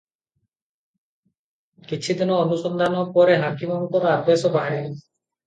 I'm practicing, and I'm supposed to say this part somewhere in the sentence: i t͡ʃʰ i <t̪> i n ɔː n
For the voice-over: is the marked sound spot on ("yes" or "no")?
no